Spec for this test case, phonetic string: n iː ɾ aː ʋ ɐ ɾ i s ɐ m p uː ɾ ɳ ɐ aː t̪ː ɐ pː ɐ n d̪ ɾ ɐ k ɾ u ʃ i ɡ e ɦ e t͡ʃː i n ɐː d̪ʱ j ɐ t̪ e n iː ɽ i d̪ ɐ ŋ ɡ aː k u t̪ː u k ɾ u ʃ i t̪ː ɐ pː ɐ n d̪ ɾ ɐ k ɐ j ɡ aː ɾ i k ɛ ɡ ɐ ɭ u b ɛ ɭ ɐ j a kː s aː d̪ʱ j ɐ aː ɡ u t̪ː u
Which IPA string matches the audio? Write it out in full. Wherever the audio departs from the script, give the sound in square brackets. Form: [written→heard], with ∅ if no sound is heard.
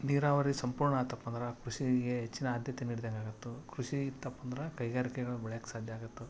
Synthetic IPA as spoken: n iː ɾ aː ʋ ɐ ɾ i s ɐ m p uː ɾ ɳ ɐ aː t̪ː ɐ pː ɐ n d̪ ɾ ɐ k ɾ u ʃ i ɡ e ɦ e t͡ʃː i n ɐː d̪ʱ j ɐ t̪ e n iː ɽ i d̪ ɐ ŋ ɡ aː [k→ɡ] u t̪ː u k ɾ u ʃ i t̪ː ɐ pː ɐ n d̪ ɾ ɐ k ɐ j ɡ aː ɾ i k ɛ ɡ ɐ ɭ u b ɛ ɭ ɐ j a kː s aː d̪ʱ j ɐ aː ɡ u t̪ː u